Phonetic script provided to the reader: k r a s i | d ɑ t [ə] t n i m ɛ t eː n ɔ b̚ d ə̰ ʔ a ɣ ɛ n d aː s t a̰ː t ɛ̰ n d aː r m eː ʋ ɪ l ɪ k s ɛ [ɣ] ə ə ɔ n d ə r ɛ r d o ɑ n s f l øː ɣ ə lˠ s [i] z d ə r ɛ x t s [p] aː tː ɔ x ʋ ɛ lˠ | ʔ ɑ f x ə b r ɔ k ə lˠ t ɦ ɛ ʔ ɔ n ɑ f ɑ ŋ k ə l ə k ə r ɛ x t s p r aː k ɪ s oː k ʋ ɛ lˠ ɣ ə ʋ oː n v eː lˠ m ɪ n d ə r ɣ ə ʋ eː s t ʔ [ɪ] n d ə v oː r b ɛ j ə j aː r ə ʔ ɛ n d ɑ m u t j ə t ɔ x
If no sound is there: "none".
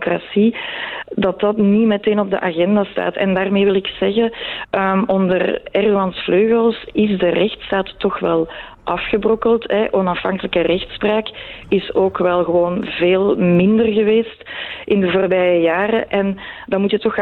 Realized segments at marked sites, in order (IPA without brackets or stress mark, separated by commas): ɑ, ɣ, ɪ, t, ɪ